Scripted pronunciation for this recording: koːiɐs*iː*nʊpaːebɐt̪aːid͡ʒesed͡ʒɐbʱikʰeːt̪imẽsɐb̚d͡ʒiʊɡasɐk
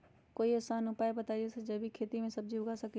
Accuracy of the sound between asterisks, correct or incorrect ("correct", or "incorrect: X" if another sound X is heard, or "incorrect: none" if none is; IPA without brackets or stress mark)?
incorrect: aː